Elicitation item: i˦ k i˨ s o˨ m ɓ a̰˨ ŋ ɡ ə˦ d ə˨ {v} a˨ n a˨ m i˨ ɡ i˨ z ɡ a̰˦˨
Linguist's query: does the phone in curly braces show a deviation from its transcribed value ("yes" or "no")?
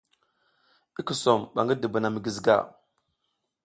yes